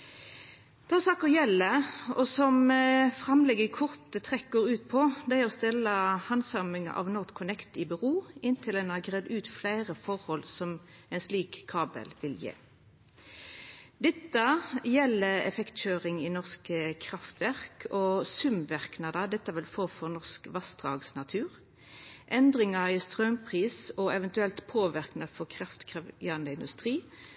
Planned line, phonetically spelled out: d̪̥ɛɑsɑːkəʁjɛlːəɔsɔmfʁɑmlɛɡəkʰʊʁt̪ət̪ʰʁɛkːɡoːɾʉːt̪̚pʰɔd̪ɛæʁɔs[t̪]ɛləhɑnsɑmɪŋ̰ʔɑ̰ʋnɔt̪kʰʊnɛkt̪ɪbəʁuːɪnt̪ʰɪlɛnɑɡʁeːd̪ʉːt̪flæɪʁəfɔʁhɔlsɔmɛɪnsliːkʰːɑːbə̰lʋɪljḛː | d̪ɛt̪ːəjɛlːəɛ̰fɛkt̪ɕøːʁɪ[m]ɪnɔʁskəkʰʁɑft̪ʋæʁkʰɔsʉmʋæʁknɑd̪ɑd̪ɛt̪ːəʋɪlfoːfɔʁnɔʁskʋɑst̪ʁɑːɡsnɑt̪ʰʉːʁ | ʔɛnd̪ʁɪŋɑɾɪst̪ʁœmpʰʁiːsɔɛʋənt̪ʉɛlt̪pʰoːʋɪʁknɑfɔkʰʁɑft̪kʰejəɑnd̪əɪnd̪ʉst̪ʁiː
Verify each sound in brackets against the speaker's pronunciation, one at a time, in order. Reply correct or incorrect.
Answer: correct, incorrect: ŋ

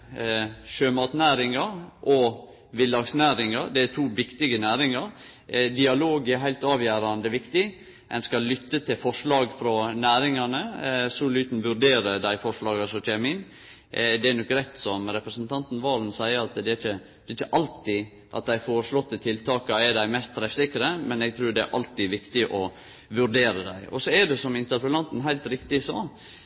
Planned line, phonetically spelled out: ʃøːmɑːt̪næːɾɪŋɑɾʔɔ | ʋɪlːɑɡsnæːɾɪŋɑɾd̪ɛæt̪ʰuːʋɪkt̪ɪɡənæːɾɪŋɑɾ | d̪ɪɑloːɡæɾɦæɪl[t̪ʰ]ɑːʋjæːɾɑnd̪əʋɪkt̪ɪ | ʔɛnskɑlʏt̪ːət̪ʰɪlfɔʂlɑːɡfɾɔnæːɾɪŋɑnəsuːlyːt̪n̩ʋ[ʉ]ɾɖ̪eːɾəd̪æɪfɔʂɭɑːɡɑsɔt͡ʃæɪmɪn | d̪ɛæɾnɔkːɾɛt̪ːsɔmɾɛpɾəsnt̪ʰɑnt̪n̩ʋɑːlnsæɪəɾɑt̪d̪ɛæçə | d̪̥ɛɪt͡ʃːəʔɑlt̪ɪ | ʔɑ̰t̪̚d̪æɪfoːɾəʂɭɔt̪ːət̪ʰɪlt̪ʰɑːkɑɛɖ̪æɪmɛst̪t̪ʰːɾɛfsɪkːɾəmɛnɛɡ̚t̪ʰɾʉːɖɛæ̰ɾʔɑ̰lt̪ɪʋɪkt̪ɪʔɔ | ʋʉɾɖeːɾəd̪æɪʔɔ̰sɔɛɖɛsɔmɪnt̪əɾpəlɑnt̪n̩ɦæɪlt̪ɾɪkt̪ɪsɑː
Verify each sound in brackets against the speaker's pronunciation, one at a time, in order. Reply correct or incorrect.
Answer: incorrect: t̪, correct

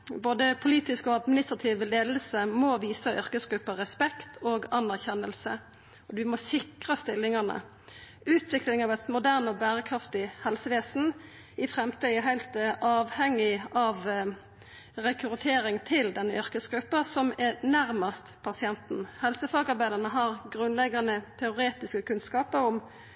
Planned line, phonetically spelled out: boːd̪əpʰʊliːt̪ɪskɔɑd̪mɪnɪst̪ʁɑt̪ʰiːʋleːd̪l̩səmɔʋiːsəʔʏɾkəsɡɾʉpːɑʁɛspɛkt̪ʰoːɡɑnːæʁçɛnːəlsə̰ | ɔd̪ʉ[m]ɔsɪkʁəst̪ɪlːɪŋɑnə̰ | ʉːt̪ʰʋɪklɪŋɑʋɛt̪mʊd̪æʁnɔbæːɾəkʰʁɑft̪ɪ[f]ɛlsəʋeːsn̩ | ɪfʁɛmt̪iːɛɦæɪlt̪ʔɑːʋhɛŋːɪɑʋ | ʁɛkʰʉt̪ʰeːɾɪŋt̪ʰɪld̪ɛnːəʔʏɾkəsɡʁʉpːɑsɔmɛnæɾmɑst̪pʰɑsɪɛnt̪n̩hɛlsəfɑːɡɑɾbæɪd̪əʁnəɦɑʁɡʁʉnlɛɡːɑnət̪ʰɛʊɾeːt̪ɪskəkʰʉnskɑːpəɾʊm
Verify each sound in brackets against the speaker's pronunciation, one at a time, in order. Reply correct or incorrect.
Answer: correct, incorrect: h

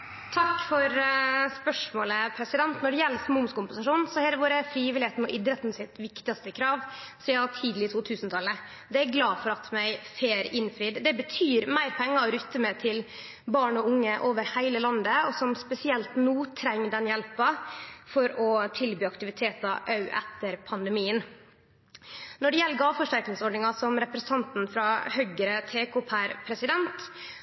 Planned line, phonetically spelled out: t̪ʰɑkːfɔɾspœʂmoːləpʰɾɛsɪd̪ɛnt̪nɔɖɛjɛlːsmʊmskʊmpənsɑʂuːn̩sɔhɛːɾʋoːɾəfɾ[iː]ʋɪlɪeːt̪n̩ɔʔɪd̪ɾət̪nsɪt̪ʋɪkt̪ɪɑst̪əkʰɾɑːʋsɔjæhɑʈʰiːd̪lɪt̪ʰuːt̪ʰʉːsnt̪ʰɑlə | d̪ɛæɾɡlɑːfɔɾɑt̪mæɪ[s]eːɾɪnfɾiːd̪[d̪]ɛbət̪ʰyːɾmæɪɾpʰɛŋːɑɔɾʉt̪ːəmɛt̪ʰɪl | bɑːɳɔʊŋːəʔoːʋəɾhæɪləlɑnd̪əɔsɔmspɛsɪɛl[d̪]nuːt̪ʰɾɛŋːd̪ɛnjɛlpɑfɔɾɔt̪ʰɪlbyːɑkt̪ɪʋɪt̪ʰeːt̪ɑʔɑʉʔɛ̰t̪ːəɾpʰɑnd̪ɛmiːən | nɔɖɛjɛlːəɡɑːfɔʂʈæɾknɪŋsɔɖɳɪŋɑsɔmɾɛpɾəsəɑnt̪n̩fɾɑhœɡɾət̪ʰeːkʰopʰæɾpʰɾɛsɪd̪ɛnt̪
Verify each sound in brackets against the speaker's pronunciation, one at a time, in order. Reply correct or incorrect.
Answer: correct, incorrect: f, correct, incorrect: t̪

